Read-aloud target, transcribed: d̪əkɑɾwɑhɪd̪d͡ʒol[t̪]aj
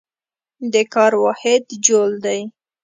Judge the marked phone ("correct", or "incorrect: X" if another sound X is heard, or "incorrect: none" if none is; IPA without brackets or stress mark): incorrect: d̪